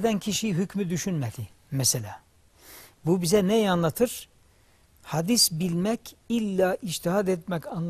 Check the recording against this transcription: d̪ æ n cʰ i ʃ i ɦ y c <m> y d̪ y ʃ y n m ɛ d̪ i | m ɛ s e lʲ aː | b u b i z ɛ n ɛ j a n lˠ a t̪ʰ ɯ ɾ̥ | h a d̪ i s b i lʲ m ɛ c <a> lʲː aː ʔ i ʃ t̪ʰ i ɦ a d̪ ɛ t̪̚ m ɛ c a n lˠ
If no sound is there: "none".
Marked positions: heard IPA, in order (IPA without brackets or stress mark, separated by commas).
m, i